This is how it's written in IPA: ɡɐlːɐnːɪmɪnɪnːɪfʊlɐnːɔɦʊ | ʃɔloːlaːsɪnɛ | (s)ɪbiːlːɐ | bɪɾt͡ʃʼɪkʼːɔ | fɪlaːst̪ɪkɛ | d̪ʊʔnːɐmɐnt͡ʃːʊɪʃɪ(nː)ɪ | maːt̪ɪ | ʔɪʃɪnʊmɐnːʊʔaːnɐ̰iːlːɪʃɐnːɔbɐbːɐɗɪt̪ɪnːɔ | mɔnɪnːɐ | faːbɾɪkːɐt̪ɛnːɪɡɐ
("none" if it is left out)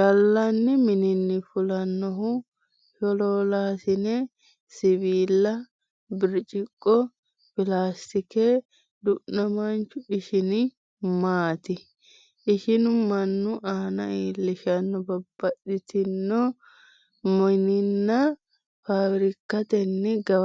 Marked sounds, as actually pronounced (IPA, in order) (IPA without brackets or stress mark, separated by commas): s, n